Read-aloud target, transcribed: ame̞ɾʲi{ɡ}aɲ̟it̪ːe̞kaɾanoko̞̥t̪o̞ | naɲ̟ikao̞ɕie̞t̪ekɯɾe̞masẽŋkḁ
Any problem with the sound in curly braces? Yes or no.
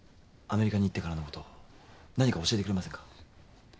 yes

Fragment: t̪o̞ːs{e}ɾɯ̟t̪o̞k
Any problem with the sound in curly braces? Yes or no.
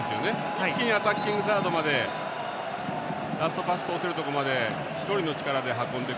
no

